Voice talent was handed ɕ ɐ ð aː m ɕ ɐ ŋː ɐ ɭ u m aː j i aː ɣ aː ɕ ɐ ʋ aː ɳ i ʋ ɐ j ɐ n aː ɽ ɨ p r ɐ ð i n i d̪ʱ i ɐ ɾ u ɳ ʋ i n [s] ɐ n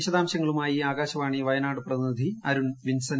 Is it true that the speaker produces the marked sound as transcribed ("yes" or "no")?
yes